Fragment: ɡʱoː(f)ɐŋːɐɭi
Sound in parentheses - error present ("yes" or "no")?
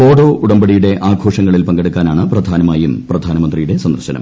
yes